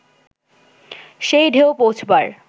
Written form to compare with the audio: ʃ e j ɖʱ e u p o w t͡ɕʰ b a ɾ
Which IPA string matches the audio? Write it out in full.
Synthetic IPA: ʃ e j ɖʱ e o p o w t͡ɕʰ b a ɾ